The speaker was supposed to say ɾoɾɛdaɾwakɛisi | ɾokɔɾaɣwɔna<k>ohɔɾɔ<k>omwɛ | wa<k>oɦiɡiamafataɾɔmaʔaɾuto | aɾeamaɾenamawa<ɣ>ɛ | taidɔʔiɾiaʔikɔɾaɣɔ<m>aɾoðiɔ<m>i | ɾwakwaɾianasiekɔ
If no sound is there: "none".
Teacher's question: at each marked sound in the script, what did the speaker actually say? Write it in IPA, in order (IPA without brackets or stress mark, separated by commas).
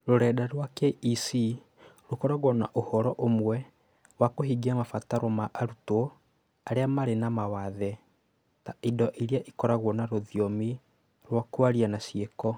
ʔ, ʔ, k, ð, n, m